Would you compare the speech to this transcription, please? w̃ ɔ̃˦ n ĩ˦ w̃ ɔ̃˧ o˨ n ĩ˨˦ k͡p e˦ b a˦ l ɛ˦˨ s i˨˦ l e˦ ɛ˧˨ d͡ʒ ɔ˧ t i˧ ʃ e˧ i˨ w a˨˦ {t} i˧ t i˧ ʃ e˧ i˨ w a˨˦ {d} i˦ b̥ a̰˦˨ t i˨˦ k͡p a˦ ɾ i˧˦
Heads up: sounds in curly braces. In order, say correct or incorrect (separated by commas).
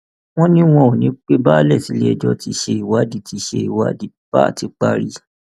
incorrect, correct